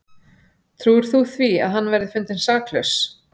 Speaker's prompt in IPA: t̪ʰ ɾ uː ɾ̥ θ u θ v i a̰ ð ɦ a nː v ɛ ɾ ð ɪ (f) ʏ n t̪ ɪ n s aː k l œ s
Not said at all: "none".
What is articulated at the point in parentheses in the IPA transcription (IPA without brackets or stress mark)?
f